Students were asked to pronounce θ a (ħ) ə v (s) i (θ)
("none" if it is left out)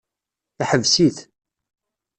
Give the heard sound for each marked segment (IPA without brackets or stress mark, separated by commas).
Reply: ħ, s, θ